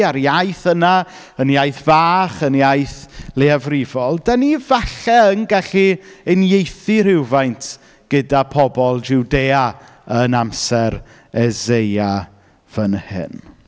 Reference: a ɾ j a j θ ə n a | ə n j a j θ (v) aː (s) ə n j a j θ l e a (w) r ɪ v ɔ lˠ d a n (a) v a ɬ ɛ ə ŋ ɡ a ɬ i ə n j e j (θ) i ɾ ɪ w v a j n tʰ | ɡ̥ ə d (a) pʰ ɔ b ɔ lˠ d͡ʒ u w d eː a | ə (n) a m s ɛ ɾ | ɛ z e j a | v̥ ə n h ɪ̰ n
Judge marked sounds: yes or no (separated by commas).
yes, no, no, no, yes, yes, yes